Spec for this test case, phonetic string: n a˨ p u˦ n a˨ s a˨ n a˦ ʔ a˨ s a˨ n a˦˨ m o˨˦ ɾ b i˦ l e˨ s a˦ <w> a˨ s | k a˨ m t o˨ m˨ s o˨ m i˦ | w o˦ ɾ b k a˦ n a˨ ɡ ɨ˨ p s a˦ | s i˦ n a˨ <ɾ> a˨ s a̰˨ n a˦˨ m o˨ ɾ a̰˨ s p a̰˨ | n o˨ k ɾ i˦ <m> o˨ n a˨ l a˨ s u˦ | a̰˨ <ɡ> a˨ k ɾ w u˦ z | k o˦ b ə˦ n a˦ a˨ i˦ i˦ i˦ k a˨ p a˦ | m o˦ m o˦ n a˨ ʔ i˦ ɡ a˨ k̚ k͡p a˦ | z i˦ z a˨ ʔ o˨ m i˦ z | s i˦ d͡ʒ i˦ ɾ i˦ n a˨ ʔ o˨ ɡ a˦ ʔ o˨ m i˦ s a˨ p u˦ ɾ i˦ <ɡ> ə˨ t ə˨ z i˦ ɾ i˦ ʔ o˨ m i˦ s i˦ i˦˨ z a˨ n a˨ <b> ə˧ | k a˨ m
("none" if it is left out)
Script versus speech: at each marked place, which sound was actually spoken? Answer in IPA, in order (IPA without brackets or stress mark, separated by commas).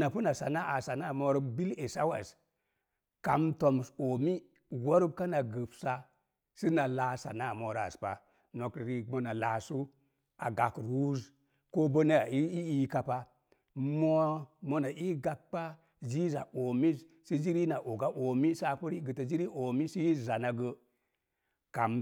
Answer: w, l, m, ɡ, ɡ, ɡ